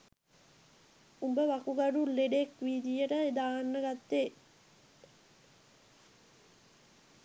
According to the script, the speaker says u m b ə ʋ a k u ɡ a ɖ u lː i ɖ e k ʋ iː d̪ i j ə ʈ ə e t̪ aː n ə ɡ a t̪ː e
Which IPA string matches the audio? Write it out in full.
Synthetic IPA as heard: u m b ə ʋ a k u ɡ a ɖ u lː e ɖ e k ʋ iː d̪ i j ə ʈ ə e d̪ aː nː ə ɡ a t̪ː e